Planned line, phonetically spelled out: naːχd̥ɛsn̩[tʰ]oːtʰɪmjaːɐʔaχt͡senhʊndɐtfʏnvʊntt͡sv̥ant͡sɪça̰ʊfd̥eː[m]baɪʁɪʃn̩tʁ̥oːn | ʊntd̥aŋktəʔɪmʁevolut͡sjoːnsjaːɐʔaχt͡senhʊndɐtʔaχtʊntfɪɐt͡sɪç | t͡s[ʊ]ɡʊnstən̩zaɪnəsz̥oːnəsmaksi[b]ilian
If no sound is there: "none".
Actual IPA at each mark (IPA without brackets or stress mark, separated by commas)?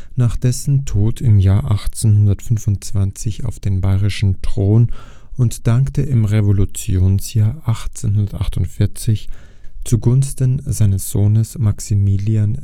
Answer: tʰ, n, u, m